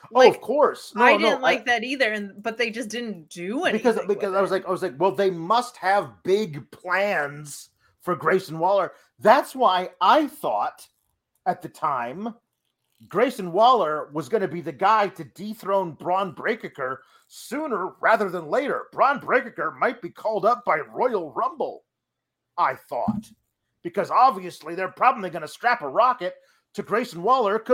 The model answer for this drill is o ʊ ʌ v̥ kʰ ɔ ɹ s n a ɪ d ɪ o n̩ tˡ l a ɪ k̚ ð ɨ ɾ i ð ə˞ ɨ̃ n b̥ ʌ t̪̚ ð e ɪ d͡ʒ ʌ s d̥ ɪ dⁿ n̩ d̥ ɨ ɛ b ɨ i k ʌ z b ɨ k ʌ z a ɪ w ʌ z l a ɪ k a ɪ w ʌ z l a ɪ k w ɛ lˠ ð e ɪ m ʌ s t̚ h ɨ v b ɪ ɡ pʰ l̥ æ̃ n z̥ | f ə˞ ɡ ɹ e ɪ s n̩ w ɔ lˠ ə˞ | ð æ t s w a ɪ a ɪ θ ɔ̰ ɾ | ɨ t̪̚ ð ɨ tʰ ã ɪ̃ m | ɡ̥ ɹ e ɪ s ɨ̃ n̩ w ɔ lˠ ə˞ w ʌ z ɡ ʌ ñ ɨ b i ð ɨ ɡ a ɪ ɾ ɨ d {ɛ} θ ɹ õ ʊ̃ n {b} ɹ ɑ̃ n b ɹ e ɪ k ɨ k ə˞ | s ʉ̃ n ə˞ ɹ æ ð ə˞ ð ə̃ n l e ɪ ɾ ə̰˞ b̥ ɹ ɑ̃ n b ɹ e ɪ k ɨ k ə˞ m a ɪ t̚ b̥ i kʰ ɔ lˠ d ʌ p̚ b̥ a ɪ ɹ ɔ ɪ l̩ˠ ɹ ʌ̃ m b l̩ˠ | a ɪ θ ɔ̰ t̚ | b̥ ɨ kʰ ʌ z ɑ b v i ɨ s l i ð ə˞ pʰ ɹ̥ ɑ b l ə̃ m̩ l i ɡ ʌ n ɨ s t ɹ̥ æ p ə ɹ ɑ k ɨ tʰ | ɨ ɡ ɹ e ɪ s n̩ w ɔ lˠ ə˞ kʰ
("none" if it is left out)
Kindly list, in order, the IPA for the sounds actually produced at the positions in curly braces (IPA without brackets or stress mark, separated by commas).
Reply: i, b